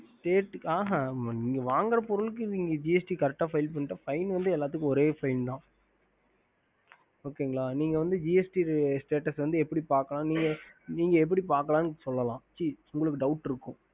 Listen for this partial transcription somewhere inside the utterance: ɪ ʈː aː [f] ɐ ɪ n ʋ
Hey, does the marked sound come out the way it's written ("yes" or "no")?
yes